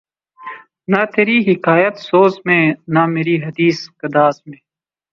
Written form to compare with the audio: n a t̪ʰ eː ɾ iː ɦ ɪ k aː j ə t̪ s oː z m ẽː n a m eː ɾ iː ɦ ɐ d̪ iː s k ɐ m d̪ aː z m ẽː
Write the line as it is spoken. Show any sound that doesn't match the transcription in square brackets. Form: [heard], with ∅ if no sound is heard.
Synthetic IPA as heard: n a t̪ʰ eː ɾ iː ɦ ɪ k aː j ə t̪ s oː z m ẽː n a m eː ɾ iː ɦ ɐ d̪ iː s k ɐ [∅] d̪ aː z m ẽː